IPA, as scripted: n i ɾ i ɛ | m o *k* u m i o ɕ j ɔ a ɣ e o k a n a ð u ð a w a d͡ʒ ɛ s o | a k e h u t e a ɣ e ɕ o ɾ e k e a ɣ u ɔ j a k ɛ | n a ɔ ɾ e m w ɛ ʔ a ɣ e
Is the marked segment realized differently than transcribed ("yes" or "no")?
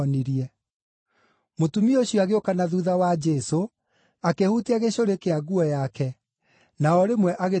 yes